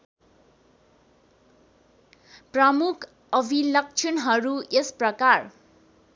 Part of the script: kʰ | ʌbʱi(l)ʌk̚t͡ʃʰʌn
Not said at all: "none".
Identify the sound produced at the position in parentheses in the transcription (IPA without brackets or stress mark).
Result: l